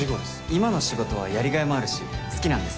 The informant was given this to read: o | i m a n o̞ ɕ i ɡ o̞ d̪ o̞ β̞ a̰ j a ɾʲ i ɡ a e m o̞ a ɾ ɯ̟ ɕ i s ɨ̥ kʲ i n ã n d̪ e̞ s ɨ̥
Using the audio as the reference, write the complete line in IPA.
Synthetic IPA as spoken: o | i m a n o̞ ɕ i ɡ o̞ t̪ o̞ β̞ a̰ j a ɾʲ i ɡ a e m o̞ a ɾ ɯ̟ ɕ i s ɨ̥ kʲ i n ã n d̪ e̞ s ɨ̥